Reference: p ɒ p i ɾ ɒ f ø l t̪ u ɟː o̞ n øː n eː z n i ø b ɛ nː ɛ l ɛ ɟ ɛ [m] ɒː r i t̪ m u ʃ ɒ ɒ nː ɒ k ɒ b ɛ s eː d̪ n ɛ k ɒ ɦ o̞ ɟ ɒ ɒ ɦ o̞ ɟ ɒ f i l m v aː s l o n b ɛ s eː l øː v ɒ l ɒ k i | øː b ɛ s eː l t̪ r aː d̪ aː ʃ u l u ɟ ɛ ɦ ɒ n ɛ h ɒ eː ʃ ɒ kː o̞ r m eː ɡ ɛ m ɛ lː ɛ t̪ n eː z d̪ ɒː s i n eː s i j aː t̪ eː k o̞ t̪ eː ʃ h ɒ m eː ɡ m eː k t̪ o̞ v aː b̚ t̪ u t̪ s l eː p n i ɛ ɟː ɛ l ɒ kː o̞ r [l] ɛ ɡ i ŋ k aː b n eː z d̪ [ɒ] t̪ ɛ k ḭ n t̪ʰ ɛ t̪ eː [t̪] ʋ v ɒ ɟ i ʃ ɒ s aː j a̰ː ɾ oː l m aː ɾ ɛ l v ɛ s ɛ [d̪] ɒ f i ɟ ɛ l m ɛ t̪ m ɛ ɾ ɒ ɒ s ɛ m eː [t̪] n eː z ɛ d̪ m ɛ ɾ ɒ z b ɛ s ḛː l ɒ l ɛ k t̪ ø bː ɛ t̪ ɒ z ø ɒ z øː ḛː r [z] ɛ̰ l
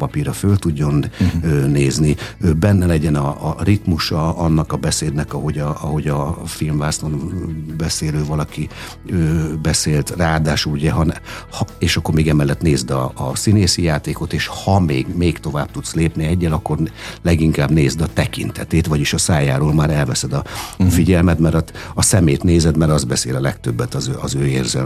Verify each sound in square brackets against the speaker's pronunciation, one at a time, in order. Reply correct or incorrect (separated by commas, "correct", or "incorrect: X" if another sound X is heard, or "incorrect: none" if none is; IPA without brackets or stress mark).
incorrect: n, correct, correct, correct, correct, correct, correct